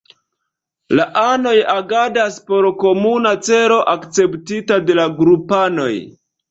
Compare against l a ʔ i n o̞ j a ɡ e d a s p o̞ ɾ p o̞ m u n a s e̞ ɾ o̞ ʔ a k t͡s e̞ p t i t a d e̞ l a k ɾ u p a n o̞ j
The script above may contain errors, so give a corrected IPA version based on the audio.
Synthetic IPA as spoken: l a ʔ a n o̞ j a ɡ a d a s p o̞ ɾ k o̞ m u n a t͡s e̞ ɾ o̞ ʔ a k t͡s e̞ p t i t a d e̞ l a ɡ ɾ u p a n o̞ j